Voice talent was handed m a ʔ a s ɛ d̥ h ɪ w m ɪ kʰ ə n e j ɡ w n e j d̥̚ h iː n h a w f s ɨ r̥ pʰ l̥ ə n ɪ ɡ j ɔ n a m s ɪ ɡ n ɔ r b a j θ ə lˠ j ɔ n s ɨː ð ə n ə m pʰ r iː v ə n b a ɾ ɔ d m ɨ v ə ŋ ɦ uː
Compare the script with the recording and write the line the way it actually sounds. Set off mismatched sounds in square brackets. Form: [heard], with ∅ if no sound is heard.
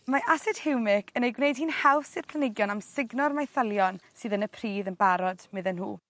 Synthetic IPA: m a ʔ a s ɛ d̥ h ɪ w m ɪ kʰ ə n e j ɡ w n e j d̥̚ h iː n h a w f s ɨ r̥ pʰ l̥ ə n ɪ ɡ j ɔ n a m s ɪ ɡ n ɔ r [m] a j θ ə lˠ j ɔ n s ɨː ð ə n ə [∅] pʰ r iː [ð] ə n b a ɾ ɔ d m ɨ [ð] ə [n] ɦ uː